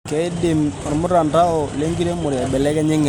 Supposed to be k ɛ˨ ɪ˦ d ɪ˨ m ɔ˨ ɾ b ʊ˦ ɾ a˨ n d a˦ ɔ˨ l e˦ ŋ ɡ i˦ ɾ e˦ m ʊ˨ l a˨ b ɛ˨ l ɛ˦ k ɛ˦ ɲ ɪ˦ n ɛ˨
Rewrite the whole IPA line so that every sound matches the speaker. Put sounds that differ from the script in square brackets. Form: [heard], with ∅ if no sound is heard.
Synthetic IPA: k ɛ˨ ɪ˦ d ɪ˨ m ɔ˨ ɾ [m] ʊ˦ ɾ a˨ n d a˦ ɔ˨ l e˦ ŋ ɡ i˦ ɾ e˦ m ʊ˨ [ɾ] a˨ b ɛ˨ l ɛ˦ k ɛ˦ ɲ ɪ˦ [ŋ] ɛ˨